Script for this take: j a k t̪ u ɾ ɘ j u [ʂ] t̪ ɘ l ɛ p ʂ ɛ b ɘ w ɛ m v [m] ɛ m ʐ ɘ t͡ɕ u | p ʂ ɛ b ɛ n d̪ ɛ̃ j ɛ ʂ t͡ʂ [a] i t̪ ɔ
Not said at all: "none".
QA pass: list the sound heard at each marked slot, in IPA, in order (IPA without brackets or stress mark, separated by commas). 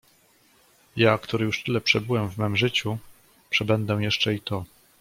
ʂ, m, ɛ